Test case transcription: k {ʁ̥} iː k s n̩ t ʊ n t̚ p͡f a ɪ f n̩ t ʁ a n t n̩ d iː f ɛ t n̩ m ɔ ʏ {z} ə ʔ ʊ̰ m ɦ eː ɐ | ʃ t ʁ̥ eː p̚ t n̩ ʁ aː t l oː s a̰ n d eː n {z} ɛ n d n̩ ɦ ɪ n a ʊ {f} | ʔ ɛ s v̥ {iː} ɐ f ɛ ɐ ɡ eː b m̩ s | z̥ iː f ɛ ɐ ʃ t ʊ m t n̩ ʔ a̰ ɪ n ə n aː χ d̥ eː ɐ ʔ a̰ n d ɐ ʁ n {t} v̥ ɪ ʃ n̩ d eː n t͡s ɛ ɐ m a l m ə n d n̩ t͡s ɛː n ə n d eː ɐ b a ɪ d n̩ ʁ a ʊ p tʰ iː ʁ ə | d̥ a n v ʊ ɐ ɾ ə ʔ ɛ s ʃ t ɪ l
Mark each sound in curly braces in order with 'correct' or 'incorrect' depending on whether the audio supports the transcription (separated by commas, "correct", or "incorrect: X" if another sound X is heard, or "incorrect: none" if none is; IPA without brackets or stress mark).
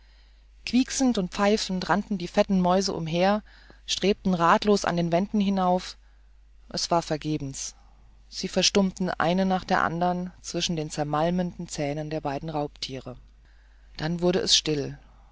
incorrect: v̥, correct, incorrect: v, correct, incorrect: aː, incorrect: t͡s